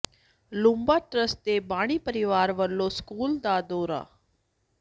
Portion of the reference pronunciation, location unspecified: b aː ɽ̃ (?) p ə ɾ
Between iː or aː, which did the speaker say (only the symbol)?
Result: iː